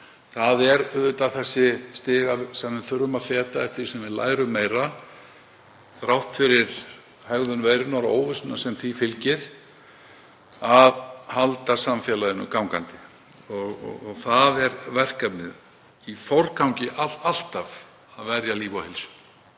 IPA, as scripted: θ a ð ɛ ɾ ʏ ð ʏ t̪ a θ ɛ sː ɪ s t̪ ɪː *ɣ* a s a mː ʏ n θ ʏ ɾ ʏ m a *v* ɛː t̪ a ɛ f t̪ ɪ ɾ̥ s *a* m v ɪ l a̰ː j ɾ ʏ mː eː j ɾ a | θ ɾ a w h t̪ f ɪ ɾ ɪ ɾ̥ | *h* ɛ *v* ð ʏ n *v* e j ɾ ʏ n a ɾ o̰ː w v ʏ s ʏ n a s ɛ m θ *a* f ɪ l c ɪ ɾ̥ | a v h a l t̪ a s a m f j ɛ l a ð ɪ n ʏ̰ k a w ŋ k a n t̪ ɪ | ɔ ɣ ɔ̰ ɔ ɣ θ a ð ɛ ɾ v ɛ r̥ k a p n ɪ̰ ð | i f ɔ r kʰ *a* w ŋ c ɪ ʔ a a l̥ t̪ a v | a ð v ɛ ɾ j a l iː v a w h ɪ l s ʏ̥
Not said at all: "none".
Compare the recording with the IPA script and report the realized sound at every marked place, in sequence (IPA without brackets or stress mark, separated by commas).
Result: ɣ, f, ɛ, h, ɣ, v, i, a